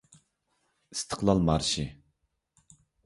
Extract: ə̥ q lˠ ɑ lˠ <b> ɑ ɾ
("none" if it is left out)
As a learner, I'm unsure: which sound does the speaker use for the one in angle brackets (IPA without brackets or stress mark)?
m